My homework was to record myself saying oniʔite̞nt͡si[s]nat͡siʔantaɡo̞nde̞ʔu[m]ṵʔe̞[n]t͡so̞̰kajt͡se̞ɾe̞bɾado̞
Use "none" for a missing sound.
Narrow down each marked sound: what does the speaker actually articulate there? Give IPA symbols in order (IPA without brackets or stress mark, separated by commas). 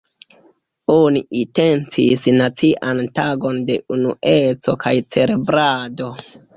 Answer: s, n, none